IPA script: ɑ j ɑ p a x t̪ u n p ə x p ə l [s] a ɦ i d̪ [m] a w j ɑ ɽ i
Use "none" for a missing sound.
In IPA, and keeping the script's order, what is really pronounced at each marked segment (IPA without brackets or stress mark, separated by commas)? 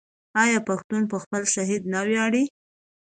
ʃ, n